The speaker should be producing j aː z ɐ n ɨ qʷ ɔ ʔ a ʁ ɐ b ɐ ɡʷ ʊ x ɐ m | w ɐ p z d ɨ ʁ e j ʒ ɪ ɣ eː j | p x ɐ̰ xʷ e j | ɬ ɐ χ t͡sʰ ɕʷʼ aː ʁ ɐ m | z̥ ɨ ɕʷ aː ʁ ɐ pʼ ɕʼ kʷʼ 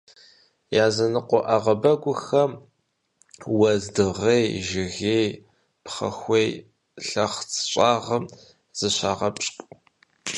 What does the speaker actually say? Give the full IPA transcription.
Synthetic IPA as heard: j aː z ɐ n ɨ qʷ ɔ ʔ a ʁ ɐ b ɐ ɡʷ ʊ x ɐ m | w ɐ z d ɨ ʁ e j ʒ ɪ ɣ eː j | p χ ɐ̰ xʷ e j | ɬ ɐ χ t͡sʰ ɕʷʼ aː ʁ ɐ m | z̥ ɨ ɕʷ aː ʁ ɐ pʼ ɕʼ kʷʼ

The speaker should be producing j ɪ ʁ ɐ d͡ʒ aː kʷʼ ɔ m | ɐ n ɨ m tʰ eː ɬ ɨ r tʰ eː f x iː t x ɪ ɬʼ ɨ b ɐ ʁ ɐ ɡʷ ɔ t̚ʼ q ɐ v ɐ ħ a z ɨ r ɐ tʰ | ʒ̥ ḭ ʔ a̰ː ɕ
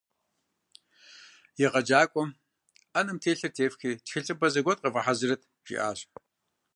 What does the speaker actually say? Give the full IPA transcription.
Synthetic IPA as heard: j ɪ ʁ ɐ d͡ʒ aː kʷʼ ɔ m | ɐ n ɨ m tʰ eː ɬ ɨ r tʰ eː f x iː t x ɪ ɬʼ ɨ b ɐ z ɐ ɡʷ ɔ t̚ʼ q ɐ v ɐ ħ a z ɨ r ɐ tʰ | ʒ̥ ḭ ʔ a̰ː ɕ

